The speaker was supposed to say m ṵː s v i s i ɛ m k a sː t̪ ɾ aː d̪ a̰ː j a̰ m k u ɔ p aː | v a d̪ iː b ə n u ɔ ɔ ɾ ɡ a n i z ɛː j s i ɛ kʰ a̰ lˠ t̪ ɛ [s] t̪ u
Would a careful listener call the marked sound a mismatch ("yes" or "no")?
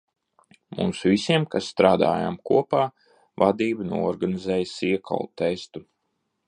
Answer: no